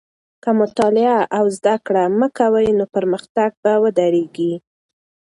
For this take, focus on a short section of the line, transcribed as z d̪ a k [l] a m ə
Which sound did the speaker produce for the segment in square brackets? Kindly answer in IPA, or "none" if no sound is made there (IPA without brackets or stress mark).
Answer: ɽ